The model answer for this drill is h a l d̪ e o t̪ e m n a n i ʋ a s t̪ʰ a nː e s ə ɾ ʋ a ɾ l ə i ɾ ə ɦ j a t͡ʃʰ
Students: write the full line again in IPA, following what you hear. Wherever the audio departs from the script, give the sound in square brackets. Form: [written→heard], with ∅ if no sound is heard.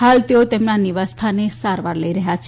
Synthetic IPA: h a l [d̪→t̪] e o t̪ e m n a n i ʋ a s t̪ʰ a [nː→n] e s [ə→a] ɾ ʋ a ɾ l ə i ɾ ə ɦ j a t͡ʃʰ